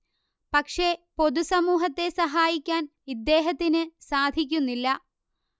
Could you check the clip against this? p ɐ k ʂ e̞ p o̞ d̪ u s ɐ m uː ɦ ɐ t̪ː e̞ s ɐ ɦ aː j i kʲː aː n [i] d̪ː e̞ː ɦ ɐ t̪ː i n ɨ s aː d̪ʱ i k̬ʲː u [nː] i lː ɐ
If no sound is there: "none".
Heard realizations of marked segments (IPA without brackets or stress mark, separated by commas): i, nː